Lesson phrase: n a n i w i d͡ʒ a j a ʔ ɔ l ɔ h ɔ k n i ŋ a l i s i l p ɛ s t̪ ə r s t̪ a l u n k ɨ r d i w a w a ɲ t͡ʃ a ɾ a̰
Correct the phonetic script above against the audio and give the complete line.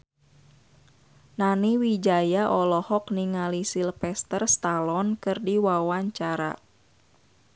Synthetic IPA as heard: n a n i w i d͡ʒ a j a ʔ ɔ l ɔ h ɔ k n i ŋ a l i s i l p ɛ s t̪ ə r s t̪ a l ɔ n k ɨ r d i w a w a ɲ t͡ʃ a ɾ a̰